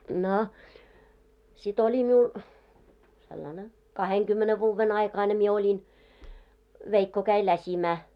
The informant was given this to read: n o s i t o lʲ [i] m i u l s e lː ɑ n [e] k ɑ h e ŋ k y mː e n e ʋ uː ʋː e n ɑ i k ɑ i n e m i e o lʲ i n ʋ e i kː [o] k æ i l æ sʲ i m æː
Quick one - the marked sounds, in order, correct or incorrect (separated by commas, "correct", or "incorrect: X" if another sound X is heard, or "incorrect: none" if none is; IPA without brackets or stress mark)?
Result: correct, correct, correct